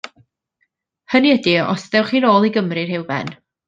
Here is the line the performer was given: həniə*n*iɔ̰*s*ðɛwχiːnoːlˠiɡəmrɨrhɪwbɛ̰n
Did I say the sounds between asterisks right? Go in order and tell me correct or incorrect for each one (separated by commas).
incorrect, correct